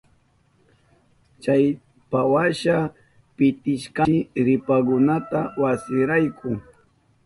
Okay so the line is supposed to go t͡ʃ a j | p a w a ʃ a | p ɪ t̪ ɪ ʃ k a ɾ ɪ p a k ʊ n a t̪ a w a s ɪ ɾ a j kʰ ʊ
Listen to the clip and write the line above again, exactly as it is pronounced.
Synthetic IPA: t͡ʃ a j | p a w a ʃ a | p ɪ t̪ ɪ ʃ k a ɾ ɪ p a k ʊ n a t̪ a w a s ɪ ɾ a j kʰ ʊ